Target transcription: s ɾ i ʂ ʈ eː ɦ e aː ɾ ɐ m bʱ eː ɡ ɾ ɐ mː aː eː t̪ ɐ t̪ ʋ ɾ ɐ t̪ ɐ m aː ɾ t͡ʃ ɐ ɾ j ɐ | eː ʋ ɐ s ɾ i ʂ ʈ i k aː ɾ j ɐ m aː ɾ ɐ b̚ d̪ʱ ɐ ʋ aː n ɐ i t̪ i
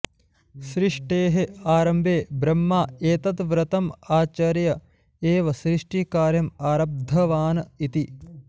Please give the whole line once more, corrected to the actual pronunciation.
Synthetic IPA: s ɾ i ʂ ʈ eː ɦ e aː ɾ ɐ m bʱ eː b ɾ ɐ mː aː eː t̪ ɐ t̪ ʋ ɾ ɐ t̪ ɐ m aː t͡ʃ ɐ ɾ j ɐ | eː ʋ ɐ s ɾ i ʂ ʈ i k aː ɾ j ɐ m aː ɾ ɐ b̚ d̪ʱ ɐ ʋ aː n ɐ i t̪ i

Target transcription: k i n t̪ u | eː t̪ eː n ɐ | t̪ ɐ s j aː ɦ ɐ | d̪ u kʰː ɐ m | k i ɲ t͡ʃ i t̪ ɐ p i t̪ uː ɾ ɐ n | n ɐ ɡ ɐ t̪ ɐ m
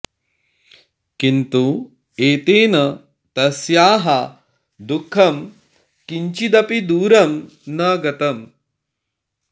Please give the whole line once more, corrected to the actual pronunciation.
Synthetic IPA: k i n t̪ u | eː t̪ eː n ɐ | t̪ ɐ s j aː ɦ ɐ | d̪ u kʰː ɐ m | k i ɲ t͡ʃ i d̪ ɐ p i d̪ uː ɾ ɐ m | n ɐ ɡ ɐ t̪ ɐ m

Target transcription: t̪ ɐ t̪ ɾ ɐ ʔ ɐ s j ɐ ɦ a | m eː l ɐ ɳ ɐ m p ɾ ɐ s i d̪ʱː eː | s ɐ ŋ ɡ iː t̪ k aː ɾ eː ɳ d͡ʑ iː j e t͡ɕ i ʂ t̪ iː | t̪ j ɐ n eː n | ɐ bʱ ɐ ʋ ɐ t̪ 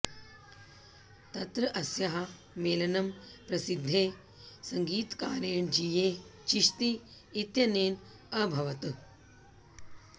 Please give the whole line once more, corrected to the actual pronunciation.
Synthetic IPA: t̪ ɐ t̪ ɾ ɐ ʔ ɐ s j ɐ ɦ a | m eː l ɐ n ɐ m p ɾ ɐ s i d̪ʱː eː | s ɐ ŋ ɡ iː t̪ k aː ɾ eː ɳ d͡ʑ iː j e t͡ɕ i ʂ t̪ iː | t̪ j ɐ n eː n | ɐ bʱ ɐ ʋ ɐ t̪

